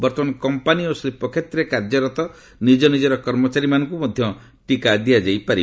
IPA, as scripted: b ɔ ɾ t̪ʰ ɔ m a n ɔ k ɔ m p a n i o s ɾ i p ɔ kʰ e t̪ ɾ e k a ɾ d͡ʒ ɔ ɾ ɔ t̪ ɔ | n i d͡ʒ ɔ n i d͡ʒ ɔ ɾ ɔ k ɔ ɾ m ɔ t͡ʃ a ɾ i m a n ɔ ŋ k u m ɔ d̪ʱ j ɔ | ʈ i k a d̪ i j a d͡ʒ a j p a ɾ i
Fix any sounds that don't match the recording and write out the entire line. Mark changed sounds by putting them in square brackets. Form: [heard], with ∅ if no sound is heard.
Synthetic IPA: b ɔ ɾ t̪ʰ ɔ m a n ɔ k ɔ m p a n i o s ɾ i p ɔ kʰ e t̪ ɾ e k a ɾ d͡ʒ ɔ ɾ ɔ t̪ ɔ | n i d͡ʒ ɔ n i d͡ʒ ɔ ɾ ɔ k ɔ ɾ m ɔ t͡ʃ a ɾ i m a n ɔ ŋ k u m ɔ d̪ʱ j ɔ | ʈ i k a d̪ i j a d͡ʒ a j p a ɾ i